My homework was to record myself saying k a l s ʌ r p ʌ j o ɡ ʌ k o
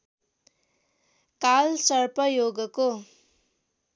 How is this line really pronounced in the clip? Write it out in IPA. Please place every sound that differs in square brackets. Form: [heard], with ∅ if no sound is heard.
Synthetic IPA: k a l s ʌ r p ʌ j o ɡ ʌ k o